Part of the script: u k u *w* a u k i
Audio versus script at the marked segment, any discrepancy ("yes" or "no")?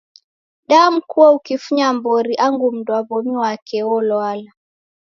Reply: no